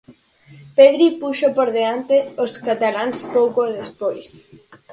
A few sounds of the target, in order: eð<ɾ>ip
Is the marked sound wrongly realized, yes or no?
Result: no